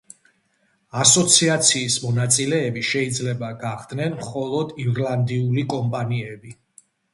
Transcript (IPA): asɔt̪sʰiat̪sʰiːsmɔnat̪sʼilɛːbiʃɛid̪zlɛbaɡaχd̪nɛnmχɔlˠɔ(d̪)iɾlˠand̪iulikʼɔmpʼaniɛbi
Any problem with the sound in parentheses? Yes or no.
no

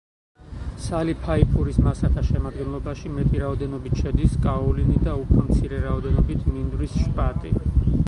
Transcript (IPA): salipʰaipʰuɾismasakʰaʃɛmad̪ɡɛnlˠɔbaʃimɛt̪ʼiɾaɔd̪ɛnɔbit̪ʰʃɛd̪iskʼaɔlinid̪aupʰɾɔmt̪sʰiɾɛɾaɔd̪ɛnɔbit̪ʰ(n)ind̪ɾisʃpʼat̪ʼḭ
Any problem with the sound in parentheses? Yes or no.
yes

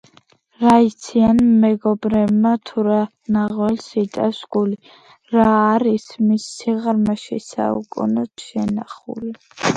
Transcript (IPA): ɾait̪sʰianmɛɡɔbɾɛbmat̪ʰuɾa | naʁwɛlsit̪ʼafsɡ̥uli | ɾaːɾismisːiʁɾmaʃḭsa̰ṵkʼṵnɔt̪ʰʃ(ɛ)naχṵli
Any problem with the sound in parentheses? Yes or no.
no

